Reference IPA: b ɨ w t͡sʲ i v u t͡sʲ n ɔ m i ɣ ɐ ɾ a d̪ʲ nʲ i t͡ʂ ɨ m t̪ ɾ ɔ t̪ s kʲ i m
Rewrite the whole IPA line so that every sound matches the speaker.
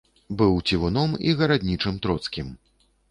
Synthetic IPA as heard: b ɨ w t͡sʲ i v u n ɔ m i ɣ ɐ ɾ a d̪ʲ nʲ i t͡ʂ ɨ m t̪ ɾ ɔ t̪ s kʲ i m